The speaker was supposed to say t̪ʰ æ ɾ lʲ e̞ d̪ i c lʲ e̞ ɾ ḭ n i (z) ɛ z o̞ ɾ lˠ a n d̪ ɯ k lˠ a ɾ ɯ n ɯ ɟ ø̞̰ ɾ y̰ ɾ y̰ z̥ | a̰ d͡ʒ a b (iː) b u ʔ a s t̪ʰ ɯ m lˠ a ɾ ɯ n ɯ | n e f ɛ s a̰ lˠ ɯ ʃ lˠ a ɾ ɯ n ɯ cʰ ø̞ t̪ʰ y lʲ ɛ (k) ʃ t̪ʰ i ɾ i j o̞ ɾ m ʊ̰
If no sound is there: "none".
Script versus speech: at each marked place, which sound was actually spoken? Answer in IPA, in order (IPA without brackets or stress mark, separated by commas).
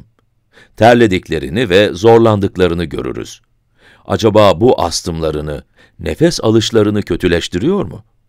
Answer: v, aː, none